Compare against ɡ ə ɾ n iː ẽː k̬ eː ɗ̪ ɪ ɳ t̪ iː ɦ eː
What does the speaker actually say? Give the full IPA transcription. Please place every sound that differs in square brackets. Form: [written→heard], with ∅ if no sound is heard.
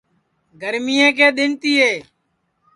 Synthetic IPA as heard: ɡ ə ɾ [n→m] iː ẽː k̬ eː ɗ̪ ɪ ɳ t̪ iː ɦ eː